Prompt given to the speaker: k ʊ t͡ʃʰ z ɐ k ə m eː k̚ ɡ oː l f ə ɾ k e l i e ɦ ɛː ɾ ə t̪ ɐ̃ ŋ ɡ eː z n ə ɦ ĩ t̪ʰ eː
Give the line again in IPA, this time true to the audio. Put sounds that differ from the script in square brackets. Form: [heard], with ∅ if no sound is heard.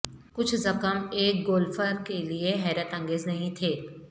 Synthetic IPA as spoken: k ʊ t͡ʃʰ z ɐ k ə m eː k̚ ɡ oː l f ə ɾ k e l i e ɦ ɛː ɾ ə t̪ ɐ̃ ŋ ɡ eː z n [ɐ] ɦ ĩ t̪ʰ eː